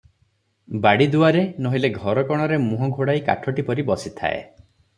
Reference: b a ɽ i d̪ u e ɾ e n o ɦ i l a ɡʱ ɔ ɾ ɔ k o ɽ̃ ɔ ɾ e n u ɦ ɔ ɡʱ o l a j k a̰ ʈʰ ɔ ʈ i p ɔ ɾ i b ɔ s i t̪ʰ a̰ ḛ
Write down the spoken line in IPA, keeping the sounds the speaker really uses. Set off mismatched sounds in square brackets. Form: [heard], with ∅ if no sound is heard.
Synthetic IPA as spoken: b a ɽ i d̪ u [a] ɾ e n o ɦ i l [e] ɡʱ ɔ ɾ ɔ k [ɔ] ɽ̃ ɔ ɾ e [m] u ɦ ɔ ɡʱ o [ɽ] a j k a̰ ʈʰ ɔ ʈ i p ɔ ɾ i b ɔ s i t̪ʰ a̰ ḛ